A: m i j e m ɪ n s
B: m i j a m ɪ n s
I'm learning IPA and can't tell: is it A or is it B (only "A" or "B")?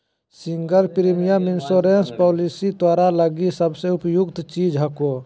B